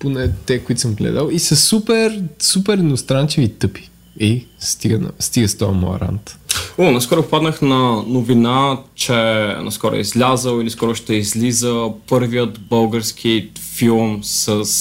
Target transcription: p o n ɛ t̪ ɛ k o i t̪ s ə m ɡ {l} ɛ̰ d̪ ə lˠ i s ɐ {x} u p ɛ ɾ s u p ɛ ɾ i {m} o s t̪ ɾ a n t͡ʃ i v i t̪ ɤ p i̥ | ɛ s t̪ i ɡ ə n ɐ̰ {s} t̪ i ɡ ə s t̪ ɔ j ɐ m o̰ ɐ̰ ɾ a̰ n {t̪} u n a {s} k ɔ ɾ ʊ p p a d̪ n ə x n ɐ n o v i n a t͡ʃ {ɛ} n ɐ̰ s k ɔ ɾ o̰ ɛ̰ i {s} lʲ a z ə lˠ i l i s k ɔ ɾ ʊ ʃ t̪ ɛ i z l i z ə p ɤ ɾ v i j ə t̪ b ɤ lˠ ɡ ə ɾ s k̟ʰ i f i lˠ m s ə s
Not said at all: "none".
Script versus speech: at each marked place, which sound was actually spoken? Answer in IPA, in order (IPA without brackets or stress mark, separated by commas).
l, s, n, s, t̪, s, ɛ, z